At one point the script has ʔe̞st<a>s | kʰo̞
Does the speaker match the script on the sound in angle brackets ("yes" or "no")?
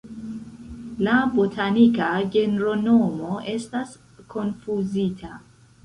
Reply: yes